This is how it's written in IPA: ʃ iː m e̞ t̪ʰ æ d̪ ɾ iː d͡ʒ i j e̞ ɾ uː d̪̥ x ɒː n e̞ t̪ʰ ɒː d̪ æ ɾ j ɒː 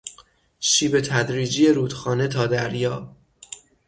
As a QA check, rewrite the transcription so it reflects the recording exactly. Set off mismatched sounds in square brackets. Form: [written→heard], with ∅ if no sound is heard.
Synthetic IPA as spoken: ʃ iː [m→b] e̞ t̪ʰ æ d̪ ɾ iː d͡ʒ i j e̞ ɾ uː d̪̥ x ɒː n e̞ t̪ʰ ɒː d̪ æ ɾ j ɒː